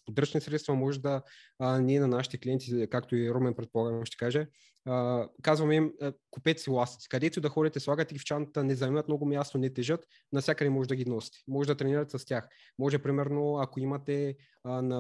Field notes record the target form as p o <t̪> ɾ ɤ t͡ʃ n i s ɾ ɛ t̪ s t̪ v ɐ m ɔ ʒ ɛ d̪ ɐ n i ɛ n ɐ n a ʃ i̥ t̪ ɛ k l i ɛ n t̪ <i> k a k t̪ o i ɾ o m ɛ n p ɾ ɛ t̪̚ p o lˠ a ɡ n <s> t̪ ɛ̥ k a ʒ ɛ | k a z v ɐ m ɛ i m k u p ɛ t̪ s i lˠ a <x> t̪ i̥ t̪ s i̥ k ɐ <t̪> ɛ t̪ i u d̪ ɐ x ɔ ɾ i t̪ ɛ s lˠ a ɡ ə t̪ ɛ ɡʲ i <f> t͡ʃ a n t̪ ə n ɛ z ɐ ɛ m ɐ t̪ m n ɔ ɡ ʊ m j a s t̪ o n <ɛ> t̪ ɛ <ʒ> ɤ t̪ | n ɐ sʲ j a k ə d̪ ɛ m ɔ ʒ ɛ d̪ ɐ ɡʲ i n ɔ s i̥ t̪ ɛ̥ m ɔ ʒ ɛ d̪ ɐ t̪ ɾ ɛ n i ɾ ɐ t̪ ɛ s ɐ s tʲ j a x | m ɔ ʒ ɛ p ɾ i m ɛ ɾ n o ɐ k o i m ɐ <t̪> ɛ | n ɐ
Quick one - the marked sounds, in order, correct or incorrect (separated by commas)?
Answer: incorrect, correct, incorrect, incorrect, incorrect, correct, correct, correct, correct